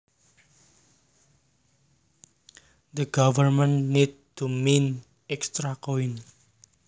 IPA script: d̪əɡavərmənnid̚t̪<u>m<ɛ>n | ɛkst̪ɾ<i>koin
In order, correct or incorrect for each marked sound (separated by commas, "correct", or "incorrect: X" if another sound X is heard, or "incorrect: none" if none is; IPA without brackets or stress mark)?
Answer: correct, incorrect: i, incorrect: a